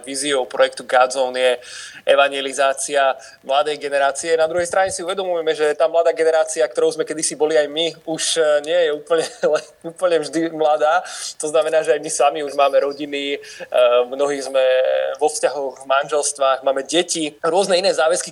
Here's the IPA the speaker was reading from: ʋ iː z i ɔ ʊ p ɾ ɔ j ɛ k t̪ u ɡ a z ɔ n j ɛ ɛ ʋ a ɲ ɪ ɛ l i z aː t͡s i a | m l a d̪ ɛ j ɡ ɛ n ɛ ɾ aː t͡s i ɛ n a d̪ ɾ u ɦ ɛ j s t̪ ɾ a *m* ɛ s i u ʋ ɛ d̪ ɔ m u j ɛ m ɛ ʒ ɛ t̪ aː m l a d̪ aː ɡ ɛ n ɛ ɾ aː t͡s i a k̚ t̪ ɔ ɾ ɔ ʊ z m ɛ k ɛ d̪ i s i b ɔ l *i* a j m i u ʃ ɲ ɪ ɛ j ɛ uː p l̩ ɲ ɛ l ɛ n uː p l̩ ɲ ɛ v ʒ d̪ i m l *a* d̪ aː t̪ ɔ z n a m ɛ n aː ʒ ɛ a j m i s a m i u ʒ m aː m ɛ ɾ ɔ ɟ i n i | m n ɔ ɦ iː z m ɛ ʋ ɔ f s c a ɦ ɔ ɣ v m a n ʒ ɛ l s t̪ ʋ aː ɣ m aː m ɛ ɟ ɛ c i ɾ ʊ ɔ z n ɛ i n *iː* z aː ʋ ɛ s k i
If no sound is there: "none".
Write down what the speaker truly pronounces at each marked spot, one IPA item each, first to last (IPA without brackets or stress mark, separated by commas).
ɲ, i, a, ɛː